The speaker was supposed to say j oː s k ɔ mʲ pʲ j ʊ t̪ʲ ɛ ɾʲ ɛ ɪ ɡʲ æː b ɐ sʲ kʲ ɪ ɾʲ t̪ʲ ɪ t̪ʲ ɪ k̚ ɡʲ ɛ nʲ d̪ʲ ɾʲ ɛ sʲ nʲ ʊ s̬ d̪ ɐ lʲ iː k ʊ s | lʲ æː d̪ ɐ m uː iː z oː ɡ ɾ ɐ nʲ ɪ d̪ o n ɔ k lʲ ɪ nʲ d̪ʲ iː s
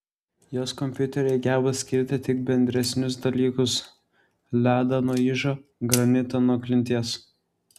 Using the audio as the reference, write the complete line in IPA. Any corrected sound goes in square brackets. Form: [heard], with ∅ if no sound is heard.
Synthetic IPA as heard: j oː s k ɔ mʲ pʲ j ʊ t̪ʲ ɛ ɾʲ ɛ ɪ ɡʲ æː b ɐ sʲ kʲ ɪ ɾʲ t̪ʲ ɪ t̪ʲ ɪ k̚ [bʲ] ɛ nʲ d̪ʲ ɾʲ ɛ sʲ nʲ ʊ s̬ d̪ ɐ lʲ iː k ʊ s | lʲ æː d̪ ɐ [n] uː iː [ʒ] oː ɡ ɾ ɐ nʲ ɪ [t̪] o n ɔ k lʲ ɪ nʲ [t̪ʲ] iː s